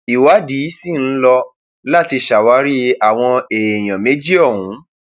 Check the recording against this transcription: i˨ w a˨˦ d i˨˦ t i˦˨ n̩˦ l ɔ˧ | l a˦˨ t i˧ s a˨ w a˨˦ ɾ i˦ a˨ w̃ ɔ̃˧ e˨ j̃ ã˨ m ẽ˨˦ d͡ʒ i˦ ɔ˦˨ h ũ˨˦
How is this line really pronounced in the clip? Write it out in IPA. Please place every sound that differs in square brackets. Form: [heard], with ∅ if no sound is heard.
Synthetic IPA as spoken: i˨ w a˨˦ d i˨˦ [s] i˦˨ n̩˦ l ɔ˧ | l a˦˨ t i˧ [ʃ] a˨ w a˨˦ ɾ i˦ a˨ w̃ ɔ̃˧ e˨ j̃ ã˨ m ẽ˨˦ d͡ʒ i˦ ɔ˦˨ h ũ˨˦